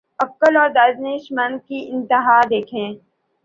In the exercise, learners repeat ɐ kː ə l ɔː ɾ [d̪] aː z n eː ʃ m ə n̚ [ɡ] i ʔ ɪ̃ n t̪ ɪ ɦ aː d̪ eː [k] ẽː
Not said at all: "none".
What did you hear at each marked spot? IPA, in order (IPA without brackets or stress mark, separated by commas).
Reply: d̪, k, kʰ